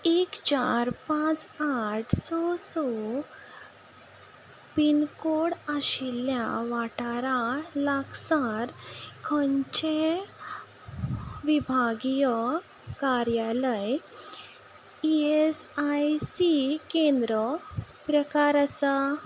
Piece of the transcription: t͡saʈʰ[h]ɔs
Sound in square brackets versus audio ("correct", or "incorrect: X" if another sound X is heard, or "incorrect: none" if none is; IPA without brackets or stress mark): incorrect: s